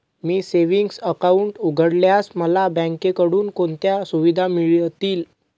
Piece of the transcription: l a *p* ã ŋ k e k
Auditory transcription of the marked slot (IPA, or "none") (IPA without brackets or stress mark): b